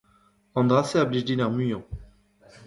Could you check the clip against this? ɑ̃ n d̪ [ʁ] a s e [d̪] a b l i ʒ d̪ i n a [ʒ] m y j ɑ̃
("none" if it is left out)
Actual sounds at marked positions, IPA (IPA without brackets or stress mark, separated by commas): ʁ, none, ʁ